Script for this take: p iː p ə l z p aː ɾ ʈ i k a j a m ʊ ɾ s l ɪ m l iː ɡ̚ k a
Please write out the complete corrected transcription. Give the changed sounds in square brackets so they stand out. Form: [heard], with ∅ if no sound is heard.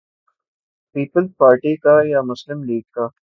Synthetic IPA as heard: p iː p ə l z p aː ɾ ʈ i k a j a m ʊ [∅] s l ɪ m l iː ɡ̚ k a